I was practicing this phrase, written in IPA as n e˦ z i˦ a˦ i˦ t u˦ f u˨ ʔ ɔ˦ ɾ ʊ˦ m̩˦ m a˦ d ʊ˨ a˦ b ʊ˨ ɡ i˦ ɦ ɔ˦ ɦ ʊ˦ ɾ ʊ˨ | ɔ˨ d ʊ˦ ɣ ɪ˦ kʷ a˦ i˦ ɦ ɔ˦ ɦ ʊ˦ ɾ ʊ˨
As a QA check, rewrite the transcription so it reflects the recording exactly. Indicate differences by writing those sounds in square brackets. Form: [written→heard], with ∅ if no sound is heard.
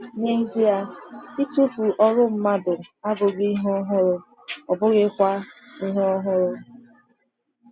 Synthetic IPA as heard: n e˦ z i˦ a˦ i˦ t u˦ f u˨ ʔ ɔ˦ ɾ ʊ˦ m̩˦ m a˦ d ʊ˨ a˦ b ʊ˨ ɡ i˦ ɦ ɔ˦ ɦ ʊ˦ ɾ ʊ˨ | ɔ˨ [d→b] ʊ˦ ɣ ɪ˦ kʷ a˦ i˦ ɦ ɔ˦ ɦ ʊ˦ ɾ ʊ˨